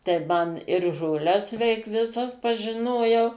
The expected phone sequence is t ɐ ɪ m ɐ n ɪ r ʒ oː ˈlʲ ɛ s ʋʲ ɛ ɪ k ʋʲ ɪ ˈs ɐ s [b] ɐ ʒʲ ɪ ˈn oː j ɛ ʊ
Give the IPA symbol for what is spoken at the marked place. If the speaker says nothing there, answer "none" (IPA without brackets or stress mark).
p